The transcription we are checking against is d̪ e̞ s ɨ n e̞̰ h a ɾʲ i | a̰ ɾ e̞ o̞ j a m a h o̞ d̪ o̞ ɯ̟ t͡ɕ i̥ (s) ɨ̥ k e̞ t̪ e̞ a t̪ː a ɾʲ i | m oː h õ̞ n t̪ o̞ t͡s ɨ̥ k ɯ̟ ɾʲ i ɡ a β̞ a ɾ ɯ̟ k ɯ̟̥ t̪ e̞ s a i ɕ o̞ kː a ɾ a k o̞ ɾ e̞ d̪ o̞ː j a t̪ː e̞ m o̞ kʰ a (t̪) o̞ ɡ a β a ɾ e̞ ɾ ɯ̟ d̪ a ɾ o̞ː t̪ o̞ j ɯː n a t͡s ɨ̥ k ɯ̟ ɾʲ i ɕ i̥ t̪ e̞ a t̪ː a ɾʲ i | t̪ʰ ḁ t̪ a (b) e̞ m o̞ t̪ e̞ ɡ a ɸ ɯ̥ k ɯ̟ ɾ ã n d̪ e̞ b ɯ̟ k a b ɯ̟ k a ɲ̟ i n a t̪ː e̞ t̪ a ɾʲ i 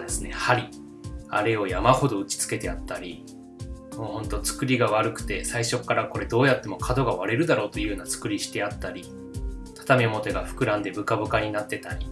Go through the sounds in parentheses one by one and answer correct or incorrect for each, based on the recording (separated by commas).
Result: incorrect, incorrect, incorrect